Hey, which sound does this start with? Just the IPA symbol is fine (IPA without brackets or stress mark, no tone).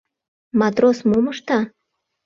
m